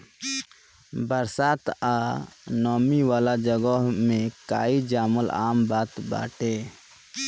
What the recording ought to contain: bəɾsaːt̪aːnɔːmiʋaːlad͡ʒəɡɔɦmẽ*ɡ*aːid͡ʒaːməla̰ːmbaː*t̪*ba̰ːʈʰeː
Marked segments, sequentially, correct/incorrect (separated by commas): incorrect, correct